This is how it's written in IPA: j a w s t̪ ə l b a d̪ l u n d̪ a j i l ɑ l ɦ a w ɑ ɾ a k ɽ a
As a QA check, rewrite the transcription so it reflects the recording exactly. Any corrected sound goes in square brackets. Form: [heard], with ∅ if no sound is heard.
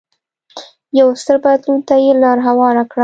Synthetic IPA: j a w s t̪ ə [ɾ] b a d̪ l u n [t̪] a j [e] l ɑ [ɾ] ɦ a w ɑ ɾ a k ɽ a